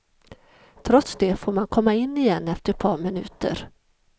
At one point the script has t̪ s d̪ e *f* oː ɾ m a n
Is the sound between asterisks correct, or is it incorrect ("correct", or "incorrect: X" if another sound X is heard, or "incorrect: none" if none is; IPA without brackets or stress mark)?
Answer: correct